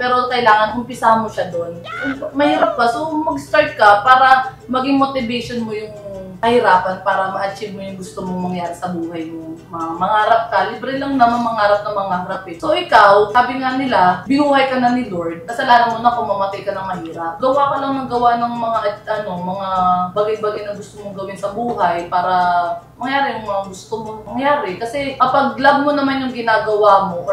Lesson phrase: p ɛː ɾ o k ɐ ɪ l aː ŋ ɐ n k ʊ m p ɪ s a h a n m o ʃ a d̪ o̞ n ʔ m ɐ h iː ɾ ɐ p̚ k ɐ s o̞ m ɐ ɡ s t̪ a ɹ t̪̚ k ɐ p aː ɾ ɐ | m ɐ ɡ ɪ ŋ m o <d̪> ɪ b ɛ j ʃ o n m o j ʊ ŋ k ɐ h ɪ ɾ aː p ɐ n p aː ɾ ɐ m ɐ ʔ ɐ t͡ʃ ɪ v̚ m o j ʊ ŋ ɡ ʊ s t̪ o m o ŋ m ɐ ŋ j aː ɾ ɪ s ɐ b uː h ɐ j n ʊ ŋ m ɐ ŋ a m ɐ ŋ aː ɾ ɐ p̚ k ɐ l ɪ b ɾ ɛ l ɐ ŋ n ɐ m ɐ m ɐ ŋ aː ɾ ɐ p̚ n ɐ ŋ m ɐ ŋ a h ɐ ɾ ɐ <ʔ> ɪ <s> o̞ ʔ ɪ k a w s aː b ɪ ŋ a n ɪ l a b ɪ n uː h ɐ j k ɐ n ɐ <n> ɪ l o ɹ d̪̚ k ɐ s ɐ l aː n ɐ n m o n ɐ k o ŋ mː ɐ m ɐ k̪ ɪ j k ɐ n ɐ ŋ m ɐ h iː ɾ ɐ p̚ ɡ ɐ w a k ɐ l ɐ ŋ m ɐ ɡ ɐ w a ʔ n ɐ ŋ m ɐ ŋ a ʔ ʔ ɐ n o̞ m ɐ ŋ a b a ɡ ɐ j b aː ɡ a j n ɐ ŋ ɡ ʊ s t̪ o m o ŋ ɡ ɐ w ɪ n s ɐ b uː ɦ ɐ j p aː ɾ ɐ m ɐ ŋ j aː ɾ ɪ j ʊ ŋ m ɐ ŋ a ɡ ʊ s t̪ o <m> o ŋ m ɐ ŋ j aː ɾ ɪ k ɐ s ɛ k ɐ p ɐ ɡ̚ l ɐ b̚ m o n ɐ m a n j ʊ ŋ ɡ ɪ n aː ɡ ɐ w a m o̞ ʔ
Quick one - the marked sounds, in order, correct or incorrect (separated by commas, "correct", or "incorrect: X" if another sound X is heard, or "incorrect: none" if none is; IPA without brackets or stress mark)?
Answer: incorrect: t̪, incorrect: p, correct, correct, correct